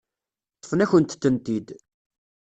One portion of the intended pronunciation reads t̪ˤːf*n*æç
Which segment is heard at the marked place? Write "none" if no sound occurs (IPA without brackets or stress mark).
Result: n